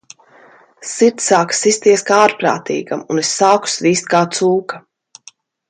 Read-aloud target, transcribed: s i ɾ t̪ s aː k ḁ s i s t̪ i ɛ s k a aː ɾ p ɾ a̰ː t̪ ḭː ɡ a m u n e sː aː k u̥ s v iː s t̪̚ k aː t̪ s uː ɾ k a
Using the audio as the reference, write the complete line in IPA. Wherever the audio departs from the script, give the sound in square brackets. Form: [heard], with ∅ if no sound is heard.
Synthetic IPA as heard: s i ɾ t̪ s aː k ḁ s i s t̪ i ɛ s k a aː ɾ p ɾ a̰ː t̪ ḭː ɡ a m u n e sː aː k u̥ s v iː s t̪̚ k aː t̪ s uː [∅] k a